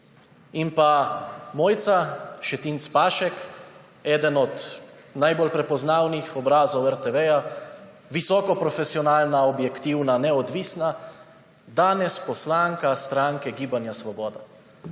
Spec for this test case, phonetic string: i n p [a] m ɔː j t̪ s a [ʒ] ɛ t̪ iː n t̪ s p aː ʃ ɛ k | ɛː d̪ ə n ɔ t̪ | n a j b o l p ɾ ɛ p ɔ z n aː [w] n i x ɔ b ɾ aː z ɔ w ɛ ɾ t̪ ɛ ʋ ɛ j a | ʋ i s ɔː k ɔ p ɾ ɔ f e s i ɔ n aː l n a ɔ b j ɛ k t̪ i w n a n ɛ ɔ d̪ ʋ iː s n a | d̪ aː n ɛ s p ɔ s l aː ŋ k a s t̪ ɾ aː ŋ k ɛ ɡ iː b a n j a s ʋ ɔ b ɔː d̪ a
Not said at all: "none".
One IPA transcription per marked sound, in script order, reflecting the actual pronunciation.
a, ʃ, w

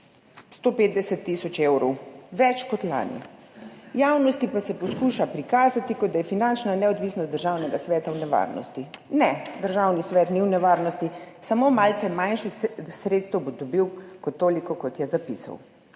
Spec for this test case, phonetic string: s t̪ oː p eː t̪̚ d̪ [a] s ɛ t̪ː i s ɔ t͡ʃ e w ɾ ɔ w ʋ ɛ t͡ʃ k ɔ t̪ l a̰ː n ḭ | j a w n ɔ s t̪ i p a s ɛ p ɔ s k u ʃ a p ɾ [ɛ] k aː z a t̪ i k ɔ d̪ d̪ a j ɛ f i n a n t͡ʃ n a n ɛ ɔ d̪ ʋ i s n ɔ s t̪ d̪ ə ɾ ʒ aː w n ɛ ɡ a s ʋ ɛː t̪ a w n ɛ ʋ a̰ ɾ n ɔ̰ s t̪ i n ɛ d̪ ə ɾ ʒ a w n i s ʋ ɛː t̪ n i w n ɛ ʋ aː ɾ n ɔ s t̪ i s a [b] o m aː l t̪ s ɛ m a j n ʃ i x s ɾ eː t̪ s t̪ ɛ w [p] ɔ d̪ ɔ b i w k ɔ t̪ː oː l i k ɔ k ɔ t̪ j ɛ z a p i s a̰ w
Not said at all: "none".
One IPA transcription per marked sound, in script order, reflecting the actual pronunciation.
ɛ, i, m, b

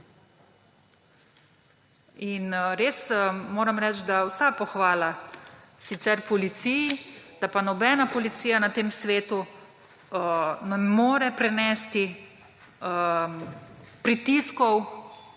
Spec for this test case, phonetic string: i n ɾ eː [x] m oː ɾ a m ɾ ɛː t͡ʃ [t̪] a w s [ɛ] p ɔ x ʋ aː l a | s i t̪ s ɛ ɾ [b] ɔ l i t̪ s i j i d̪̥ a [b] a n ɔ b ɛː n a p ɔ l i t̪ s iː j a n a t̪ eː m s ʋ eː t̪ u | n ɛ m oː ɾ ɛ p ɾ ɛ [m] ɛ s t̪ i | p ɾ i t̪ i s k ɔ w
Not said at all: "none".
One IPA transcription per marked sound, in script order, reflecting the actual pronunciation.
s, d̪, a, p, p, n

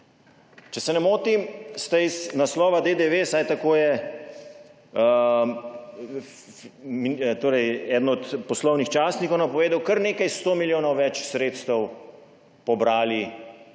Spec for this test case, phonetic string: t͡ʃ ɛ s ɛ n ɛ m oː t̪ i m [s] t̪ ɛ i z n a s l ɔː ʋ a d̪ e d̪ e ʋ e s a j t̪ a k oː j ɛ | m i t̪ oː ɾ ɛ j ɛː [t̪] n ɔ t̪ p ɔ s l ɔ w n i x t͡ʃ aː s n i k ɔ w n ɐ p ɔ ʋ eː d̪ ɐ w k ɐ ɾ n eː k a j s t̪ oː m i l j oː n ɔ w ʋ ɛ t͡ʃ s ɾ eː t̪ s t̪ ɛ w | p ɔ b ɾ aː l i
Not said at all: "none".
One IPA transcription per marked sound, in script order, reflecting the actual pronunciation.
s, d̪

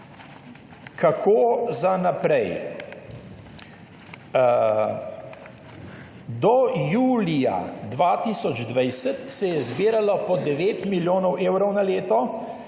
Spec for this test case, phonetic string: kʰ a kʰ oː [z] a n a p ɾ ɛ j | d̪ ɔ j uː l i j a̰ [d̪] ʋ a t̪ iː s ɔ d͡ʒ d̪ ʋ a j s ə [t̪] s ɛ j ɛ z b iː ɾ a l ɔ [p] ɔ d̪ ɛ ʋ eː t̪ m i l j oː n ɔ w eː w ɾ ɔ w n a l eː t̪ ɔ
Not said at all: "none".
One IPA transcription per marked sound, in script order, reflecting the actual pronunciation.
z, d̪, t̪, p

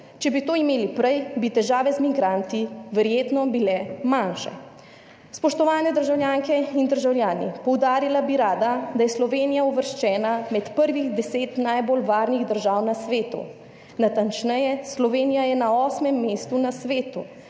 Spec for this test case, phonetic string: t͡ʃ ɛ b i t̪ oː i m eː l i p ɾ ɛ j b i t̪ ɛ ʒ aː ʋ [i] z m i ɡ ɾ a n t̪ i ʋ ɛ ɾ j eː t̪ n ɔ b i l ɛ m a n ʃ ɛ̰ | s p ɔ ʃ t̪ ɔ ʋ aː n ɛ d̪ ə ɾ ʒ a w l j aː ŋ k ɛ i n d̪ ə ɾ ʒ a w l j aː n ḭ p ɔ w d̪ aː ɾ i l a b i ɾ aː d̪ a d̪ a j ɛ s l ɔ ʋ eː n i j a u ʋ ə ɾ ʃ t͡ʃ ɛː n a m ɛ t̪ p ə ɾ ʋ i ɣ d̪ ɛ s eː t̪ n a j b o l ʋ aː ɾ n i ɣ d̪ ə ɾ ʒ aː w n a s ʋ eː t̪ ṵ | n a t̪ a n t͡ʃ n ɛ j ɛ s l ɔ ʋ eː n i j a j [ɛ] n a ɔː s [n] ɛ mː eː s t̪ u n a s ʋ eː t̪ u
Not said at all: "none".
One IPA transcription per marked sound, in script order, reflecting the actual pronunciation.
ɛ, ɛ, m

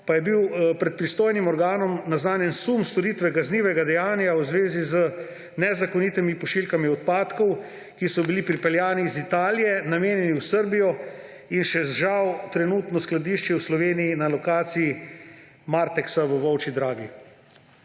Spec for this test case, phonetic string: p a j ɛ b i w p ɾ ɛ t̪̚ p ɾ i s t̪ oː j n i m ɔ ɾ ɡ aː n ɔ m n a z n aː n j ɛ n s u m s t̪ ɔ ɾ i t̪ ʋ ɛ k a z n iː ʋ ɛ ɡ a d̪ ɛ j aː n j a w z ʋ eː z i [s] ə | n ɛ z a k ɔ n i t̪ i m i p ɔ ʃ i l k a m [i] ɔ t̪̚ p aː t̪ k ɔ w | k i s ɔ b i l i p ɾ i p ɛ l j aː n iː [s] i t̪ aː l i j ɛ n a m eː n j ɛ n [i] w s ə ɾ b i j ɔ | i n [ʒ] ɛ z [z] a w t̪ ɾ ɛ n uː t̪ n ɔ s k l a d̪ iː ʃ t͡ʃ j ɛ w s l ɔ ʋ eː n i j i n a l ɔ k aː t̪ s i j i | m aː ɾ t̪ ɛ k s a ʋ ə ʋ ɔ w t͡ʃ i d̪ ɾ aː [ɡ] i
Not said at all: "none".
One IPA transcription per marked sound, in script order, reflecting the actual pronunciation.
z, i, z, i, ʃ, ʒ, ɡ

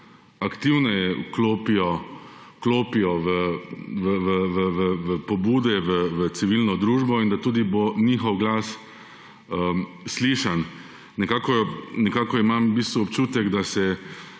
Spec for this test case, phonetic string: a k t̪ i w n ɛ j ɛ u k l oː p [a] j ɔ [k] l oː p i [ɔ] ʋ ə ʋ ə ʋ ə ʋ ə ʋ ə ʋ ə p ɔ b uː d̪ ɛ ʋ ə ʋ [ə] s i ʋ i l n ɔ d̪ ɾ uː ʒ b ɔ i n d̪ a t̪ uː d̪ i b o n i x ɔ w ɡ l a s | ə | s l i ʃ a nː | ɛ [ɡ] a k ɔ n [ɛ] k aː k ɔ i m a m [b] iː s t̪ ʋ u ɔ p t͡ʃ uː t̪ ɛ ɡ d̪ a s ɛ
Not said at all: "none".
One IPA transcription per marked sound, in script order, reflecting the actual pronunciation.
i, k, ɔ, ə, k, ɛ, b

